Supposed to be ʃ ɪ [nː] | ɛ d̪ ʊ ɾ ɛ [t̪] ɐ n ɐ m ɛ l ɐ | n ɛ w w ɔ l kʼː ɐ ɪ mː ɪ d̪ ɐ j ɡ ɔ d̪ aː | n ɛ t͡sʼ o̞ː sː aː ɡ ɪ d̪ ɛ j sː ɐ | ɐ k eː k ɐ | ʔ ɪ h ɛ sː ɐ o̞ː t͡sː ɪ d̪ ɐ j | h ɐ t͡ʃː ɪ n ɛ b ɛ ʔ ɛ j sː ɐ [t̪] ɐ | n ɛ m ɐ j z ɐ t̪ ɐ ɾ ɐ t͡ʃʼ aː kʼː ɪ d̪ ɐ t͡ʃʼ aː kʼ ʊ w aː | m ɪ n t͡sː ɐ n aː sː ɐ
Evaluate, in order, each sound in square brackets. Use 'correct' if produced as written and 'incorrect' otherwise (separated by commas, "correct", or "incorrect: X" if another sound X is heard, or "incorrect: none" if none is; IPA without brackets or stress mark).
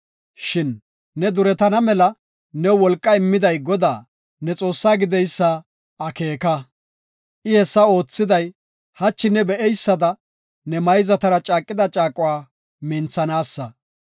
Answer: correct, correct, incorrect: d̪